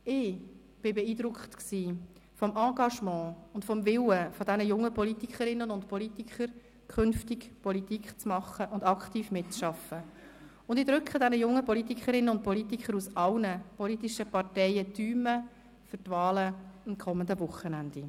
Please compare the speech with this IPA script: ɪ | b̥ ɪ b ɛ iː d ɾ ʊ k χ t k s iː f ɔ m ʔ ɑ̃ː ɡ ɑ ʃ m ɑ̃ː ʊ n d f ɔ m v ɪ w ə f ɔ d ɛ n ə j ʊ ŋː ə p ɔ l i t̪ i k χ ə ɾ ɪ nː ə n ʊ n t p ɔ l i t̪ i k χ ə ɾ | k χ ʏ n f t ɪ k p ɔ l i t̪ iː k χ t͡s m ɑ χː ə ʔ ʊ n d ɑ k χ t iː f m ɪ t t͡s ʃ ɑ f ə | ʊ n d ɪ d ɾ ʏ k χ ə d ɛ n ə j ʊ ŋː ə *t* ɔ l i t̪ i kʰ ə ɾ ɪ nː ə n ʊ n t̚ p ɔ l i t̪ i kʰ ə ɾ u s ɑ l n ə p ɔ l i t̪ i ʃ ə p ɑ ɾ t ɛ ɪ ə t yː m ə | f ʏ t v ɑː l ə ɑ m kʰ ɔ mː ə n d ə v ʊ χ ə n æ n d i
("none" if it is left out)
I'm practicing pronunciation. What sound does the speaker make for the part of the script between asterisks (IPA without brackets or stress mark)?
p